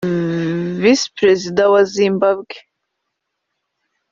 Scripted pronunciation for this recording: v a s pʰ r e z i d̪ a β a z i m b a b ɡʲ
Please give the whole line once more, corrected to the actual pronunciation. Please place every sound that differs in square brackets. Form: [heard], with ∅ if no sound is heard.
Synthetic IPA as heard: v [i] s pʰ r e z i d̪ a [w] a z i m b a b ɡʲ